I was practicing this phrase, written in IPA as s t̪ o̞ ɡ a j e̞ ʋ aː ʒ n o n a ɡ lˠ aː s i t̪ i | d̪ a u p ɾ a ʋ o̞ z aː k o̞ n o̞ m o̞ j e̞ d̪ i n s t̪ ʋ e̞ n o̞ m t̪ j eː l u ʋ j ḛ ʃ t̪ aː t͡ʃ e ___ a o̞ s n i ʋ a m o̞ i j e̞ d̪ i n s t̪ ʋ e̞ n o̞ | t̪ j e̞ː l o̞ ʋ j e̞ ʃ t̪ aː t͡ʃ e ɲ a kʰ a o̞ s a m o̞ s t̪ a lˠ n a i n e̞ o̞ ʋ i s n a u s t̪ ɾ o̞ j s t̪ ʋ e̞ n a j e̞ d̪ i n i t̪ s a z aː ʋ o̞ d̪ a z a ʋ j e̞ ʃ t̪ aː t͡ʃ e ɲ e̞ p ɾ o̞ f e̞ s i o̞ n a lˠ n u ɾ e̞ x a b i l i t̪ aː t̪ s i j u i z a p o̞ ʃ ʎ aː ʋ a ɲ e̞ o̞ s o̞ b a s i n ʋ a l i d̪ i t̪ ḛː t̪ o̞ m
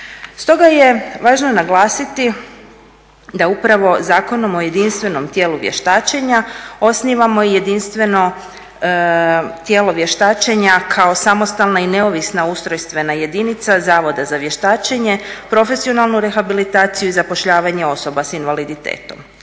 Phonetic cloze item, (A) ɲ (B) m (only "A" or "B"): A